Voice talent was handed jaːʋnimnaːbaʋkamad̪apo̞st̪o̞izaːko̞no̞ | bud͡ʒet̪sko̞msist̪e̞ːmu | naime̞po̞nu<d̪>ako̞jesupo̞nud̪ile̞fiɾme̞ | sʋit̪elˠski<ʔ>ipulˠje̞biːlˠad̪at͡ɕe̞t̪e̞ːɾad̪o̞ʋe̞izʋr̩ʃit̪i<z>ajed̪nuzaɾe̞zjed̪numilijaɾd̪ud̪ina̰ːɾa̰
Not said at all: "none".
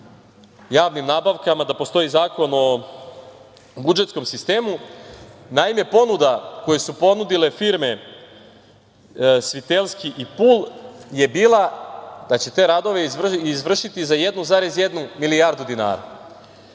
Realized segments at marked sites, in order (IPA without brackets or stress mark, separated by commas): d̪, ʔ, z